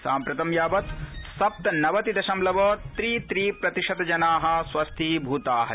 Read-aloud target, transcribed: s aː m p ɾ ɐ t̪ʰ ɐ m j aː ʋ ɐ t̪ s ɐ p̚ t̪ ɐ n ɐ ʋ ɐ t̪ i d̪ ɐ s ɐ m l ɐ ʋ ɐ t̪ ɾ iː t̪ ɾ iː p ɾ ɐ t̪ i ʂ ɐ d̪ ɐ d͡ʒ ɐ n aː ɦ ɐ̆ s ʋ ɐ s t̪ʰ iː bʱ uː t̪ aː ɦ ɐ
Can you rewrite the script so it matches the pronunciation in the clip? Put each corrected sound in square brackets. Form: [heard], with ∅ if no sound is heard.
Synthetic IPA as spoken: s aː m p ɾ ɐ [t̪] ɐ m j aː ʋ ɐ t̪ s ɐ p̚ t̪ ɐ n ɐ ʋ ɐ t̪ i d̪ ɐ [ʃ] ɐ m l ɐ ʋ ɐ t̪ ɾ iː t̪ ɾ iː p ɾ ɐ t̪ i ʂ ɐ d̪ ɐ d͡ʒ ɐ n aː ɦ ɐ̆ s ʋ ɐ s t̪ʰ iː bʱ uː t̪ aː ɦ ɐ